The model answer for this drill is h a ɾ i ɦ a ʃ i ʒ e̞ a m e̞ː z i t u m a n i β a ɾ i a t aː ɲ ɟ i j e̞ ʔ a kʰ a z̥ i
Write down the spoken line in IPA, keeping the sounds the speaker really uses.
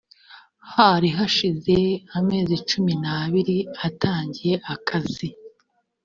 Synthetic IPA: h a ɾ i ɦ a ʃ i z e̞ a m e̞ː z i t͡ʃ u m i n a β i ɾ i a t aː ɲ ɟ i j e̞ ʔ a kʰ a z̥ i